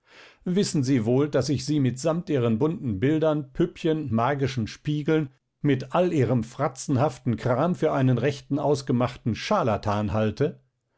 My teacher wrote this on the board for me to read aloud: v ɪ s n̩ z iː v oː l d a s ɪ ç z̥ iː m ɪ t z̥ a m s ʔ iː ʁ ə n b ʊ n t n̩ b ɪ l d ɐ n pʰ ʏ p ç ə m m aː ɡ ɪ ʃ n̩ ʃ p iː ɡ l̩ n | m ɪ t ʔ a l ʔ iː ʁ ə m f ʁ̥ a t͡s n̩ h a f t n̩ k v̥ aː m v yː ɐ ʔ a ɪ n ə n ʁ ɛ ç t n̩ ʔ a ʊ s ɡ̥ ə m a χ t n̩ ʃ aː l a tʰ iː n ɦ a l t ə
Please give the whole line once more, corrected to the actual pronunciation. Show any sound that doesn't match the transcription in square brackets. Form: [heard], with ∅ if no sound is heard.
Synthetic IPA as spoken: v ɪ s n̩ z iː v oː l d a s ɪ ç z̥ iː m ɪ t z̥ a m [t] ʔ iː ʁ ə n b ʊ n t n̩ b ɪ l d ɐ n pʰ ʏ p ç ə [n] m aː ɡ ɪ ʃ n̩ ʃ p iː ɡ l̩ n | m ɪ t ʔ a l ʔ iː ʁ ə m f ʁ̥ a t͡s n̩ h a f t n̩ k [ʁ̥] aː m [f] yː ɐ ʔ a ɪ n ə n ʁ ɛ ç t n̩ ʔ a ʊ s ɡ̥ ə m a χ t n̩ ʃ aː l a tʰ [aː] n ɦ a l t ə